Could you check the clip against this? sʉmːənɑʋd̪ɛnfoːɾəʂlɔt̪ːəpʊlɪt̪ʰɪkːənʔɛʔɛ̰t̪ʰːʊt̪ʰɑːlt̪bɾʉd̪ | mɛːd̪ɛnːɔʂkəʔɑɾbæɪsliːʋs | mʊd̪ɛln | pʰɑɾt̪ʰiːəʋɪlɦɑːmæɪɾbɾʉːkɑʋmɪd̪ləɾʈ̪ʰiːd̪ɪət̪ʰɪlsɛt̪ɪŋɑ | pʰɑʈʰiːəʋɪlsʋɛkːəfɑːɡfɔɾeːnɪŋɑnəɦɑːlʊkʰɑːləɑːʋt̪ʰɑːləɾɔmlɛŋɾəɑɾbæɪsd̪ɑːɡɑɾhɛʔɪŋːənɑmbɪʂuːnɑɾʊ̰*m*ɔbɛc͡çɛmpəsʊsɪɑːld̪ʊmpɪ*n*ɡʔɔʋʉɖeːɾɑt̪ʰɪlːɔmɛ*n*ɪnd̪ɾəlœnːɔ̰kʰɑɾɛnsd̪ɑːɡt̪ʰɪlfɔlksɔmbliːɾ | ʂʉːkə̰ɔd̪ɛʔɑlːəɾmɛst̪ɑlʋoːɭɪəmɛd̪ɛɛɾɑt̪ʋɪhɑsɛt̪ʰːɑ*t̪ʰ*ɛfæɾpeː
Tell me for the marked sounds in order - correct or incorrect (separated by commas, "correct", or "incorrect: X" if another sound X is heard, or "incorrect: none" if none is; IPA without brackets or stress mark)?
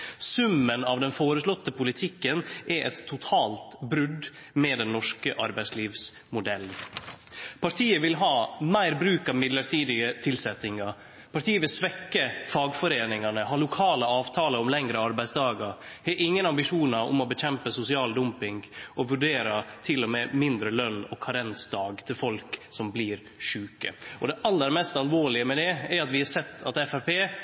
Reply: correct, incorrect: ŋ, incorrect: m, incorrect: t̪